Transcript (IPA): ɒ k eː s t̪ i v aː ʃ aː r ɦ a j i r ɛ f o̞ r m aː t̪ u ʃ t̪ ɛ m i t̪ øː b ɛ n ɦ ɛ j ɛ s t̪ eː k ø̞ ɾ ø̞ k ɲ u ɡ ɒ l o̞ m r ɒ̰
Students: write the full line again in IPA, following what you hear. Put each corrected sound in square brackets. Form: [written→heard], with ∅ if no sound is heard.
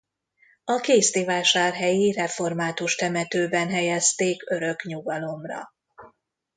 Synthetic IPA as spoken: ɒ k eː s t̪ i v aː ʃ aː r ɦ [a→ɛ] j i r ɛ f o̞ r m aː t̪ u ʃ t̪ ɛ m [i→ɛ] t̪ øː b ɛ n ɦ ɛ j ɛ s t̪ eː k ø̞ ɾ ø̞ k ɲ u ɡ ɒ l o̞ m r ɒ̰